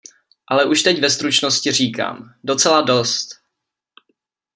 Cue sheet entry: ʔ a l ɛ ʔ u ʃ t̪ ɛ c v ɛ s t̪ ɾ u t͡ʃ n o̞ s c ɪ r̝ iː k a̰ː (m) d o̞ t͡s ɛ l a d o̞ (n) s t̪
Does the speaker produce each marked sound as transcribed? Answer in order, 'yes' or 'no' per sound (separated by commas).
yes, no